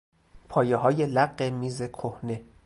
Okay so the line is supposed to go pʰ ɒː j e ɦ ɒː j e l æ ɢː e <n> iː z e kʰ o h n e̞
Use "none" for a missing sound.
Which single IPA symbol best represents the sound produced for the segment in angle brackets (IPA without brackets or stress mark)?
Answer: m